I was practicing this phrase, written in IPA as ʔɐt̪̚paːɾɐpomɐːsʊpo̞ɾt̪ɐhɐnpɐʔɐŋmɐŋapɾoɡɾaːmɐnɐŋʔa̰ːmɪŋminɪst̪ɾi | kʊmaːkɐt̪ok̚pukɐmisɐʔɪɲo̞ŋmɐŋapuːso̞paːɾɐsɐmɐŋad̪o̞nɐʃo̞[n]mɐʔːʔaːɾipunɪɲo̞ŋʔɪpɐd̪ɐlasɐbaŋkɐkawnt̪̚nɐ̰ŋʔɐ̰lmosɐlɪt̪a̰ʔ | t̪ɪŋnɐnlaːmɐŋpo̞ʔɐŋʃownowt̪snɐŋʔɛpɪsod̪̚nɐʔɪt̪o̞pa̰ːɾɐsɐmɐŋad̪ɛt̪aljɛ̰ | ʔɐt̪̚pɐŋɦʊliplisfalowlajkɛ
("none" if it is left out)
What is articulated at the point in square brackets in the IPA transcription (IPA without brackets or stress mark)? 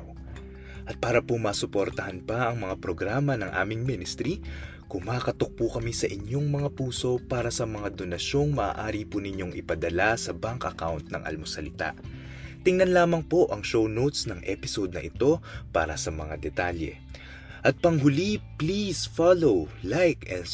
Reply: ŋ